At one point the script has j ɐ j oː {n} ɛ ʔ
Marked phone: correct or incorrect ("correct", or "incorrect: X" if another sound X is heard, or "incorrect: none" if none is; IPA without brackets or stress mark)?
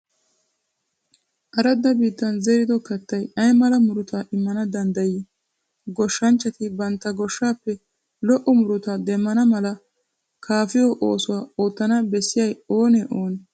correct